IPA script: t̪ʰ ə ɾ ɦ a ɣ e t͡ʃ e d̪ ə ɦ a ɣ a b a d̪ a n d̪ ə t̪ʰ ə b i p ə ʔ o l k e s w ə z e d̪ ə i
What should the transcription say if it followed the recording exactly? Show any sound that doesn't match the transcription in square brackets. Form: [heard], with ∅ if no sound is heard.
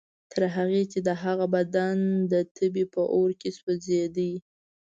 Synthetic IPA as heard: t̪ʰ ə ɾ ɦ a ɣ e t͡ʃ e d̪ ə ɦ a ɣ a b a d̪ a n d̪ ə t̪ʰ ə b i p ə ʔ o [ɾ] k e s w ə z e d̪ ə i